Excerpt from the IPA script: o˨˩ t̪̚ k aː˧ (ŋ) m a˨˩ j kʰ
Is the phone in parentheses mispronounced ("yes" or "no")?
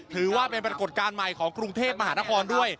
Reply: yes